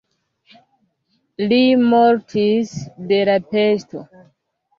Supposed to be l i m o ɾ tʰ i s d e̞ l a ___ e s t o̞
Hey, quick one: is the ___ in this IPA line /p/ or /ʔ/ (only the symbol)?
p